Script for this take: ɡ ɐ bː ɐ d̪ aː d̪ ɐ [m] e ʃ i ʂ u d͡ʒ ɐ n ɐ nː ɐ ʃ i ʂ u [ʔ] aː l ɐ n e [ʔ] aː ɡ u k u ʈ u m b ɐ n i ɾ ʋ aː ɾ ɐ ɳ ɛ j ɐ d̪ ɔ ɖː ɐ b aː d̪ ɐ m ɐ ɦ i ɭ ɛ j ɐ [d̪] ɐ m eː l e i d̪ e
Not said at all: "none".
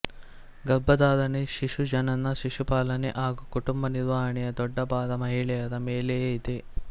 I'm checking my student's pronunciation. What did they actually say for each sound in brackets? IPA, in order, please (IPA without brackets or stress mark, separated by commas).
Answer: n, p, ʔ, d̪